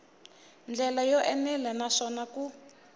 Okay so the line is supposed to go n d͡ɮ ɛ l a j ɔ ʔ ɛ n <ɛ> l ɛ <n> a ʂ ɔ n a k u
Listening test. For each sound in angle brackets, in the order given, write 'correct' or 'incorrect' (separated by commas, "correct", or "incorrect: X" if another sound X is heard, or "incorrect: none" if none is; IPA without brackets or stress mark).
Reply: correct, correct